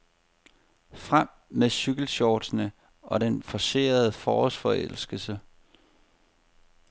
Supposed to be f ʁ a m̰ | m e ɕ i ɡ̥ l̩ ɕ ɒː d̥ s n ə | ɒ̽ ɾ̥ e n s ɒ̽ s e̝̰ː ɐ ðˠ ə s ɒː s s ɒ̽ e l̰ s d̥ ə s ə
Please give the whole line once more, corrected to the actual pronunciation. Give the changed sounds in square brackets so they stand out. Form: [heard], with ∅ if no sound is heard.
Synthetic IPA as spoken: f ʁ a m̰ | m e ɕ [y] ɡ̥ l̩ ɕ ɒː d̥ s n ə | ɒ̽ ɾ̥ e n [f] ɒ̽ s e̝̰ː ɐ ðˠ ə [f] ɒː s [f] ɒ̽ e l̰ s [ɡ̥] ə s ə